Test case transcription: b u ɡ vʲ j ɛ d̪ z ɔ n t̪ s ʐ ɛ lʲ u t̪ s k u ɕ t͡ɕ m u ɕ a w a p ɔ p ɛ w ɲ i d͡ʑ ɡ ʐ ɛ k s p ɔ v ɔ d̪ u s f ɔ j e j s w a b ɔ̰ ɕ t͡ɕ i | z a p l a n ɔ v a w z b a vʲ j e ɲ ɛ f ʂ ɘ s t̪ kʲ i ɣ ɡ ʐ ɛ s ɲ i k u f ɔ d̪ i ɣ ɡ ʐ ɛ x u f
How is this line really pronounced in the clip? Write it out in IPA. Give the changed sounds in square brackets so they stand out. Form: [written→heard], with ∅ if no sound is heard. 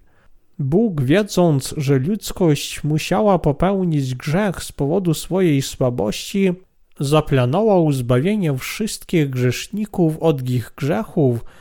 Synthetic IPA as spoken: b u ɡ vʲ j ɛ d̪ z ɔ n t̪ s ʐ ɛ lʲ u t̪ s k [u→ɔ] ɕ t͡ɕ m u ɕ a w a p ɔ p ɛ w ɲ i d͡ʑ ɡ ʐ ɛ [k→x] s p ɔ v ɔ d̪ u s f ɔ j e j s w a b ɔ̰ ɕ t͡ɕ i | z a p l a n ɔ v a w z b a vʲ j e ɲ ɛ f ʂ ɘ s t̪ kʲ i ɣ ɡ ʐ ɛ [s→ʂ] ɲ i k u f ɔ d̪ i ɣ ɡ ʐ ɛ x u f